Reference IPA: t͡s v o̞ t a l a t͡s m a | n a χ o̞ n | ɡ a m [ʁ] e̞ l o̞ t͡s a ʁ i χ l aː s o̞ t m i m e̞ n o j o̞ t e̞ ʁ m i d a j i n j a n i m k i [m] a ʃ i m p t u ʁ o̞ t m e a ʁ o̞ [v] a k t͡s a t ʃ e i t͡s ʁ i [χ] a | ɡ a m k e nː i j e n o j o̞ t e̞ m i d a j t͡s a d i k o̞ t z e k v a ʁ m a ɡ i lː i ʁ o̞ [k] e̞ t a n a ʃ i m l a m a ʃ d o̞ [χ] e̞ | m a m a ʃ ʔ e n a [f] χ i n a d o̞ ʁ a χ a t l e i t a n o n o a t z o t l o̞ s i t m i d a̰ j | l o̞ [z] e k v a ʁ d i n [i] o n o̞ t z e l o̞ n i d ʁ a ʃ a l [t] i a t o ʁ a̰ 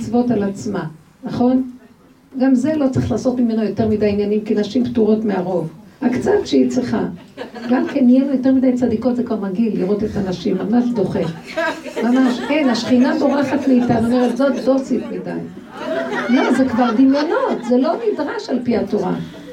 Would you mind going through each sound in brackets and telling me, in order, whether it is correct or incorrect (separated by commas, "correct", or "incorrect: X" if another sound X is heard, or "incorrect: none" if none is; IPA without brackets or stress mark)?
incorrect: z, incorrect: n, correct, correct, incorrect: t, correct, incorrect: ʃ, correct, incorrect: j, incorrect: p